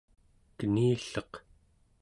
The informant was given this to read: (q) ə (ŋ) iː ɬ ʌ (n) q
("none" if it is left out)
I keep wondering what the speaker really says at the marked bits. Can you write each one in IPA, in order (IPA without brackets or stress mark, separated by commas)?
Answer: k, n, none